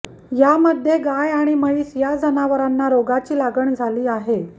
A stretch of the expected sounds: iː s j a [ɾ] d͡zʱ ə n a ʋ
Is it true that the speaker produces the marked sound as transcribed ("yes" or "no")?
no